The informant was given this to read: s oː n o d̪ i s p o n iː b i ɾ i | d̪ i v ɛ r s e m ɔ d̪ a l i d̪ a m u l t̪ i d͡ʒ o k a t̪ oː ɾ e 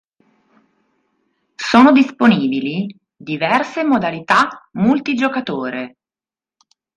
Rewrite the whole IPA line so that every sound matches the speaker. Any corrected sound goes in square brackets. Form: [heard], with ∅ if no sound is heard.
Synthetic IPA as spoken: s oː n o d̪ i s p o n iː b i [l] i | d̪ i v ɛ r s e m [o] d̪ a l i [t̪] a m u l t̪ i d͡ʒ o k a t̪ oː ɾ e